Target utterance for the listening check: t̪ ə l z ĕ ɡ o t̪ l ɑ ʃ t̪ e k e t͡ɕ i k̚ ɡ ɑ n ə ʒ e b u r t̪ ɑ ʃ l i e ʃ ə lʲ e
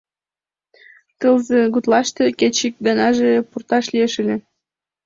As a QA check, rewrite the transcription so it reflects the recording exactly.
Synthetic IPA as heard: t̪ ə l z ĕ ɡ u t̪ l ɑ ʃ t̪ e k e t͡ɕ i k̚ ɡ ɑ n ɑ ʒ e p u r t̪ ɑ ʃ l i e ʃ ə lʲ e